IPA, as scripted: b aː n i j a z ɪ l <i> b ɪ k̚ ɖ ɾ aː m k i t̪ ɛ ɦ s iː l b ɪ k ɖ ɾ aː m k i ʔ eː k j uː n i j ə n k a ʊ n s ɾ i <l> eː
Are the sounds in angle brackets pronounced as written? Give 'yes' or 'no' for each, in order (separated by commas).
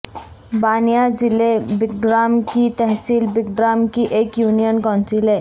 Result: no, yes